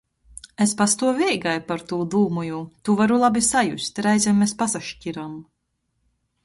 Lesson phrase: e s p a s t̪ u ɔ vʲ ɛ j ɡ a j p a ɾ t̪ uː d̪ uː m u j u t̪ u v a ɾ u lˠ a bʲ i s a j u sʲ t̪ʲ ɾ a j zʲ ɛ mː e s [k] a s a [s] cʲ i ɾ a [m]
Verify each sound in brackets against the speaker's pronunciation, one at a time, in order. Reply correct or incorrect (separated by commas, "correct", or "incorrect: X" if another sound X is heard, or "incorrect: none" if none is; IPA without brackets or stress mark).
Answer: incorrect: p, incorrect: ʃ, correct